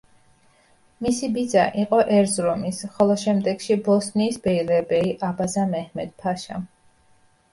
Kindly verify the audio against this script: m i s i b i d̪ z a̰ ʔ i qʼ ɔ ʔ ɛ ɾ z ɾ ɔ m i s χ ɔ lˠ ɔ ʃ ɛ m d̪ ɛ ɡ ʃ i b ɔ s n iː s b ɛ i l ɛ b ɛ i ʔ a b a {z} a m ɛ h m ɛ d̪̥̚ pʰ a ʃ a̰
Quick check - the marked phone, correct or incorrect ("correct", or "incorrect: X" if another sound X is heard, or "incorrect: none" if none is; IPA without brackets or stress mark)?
correct